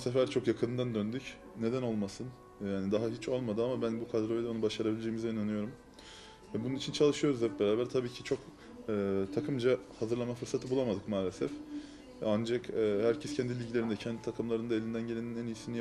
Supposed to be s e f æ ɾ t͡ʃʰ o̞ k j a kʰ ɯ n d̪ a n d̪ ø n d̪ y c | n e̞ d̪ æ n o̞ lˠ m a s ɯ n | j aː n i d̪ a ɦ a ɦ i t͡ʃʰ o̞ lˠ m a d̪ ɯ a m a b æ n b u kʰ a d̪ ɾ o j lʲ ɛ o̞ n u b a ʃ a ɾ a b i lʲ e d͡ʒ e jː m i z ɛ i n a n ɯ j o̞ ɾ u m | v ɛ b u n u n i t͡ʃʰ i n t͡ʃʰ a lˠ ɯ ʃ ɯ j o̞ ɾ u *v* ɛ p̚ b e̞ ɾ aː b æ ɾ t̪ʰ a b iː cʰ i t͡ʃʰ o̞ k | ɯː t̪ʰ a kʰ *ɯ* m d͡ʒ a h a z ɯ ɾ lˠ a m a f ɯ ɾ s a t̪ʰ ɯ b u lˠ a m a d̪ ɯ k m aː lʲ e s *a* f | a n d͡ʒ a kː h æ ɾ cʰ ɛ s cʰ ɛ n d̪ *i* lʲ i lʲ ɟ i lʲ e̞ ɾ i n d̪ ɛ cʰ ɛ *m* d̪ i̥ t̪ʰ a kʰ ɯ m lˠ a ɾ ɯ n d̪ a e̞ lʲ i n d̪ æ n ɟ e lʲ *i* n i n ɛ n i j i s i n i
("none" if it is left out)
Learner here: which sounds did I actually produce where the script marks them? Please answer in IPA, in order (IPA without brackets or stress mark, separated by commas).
z, ɯ, ɛ, i, n, e